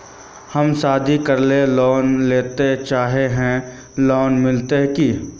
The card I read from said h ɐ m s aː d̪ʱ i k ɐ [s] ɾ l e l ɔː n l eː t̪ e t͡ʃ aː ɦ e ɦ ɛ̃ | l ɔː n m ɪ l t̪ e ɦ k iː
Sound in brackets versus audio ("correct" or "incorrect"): incorrect